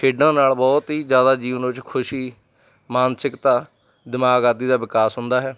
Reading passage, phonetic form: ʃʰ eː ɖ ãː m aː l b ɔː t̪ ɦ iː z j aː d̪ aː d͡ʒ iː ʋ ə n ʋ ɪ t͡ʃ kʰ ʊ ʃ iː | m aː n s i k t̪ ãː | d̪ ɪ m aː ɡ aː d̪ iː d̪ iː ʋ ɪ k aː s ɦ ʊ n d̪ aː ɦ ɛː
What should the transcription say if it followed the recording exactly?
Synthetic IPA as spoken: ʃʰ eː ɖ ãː n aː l b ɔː t̪ ɦ iː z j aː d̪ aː d͡ʒ iː ʋ ə n ʋ ɪ t͡ʃ kʰ ʊ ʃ iː | m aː n s ɪ k t̪ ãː | d̪ ɪ m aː ɡ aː d̪ iː d̪ aː ʋ ɪ k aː s ɦ ʊ n d̪ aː ɦ ɛː